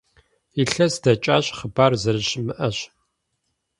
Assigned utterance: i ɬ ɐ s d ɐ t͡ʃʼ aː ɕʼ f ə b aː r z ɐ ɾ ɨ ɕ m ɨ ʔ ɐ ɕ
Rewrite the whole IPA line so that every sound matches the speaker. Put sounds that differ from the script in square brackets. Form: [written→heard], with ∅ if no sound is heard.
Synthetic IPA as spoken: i ɬ ɐ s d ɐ t͡ʃʼ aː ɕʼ [f→χ] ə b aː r z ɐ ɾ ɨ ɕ m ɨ ʔ ɐ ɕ

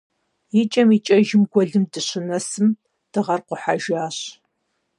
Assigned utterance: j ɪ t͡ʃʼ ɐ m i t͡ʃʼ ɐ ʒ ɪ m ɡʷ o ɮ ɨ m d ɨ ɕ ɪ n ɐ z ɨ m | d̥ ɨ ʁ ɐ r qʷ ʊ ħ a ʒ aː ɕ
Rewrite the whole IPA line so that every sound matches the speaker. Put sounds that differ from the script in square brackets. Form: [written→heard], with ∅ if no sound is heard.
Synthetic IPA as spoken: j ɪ t͡ʃʼ ɐ m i t͡ʃʼ ɐ ʒ ɪ m ɡʷ [o→ɔ] ɮ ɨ m d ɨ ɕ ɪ n ɐ [z→s] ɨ m | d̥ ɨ ʁ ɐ r qʷ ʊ ħ a ʒ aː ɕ

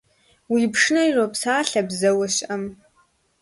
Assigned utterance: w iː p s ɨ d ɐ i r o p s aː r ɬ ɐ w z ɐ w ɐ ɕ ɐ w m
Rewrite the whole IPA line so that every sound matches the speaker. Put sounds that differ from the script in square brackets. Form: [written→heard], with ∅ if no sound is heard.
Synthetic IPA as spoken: w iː p [s→ʂ] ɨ [d→n] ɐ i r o p s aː [r→∅] ɬ ɐ [w→b] z ɐ w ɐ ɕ ɐ [w→∅] m

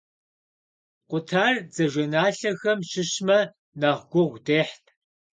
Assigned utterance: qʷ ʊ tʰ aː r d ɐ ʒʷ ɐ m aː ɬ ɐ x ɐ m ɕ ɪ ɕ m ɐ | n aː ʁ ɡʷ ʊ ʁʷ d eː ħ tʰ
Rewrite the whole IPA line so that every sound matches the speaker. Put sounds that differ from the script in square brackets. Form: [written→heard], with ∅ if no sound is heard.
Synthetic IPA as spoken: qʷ ʊ tʰ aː r [d→d͡z] ɐ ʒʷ ɐ [m→n] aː ɬ ɐ x ɐ m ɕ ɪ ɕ m ɐ | n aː ʁ ɡʷ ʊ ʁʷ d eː ħ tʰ

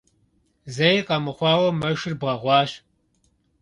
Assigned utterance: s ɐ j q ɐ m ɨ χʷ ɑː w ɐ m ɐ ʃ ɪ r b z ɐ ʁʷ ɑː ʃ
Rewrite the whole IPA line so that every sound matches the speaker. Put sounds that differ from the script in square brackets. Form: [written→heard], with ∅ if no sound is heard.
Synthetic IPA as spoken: [s→z] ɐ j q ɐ m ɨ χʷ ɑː w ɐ m ɐ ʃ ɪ r b [z→ʁ] ɐ ʁʷ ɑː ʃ

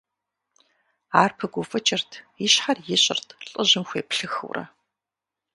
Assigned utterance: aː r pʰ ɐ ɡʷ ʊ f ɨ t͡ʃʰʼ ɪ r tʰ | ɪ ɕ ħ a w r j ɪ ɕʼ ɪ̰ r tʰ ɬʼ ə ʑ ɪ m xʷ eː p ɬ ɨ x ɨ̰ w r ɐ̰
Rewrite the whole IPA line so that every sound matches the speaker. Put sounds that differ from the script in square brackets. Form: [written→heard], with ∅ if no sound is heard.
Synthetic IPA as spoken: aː r pʰ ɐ ɡʷ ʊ f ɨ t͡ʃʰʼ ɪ r tʰ | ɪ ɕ ħ a [w→∅] r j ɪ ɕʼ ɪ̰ r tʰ ɬʼ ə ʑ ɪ m xʷ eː p ɬ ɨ x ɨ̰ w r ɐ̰

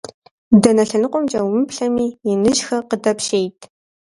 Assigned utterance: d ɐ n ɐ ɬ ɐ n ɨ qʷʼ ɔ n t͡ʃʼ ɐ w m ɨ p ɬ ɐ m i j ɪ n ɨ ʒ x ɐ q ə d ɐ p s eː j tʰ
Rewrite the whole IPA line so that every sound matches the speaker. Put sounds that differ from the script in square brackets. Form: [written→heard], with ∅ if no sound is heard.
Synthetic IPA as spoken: d ɐ n ɐ ɬ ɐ n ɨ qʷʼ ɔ [n→m] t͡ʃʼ ɐ w m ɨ p ɬ ɐ m [i→iː] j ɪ n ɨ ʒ x ɐ q ə d ɐ p [s→ʃ] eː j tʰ

